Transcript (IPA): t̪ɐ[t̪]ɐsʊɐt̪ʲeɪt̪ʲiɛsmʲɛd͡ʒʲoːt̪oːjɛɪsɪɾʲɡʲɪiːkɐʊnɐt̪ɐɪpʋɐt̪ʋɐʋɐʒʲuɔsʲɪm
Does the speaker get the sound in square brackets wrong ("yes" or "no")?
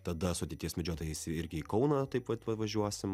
yes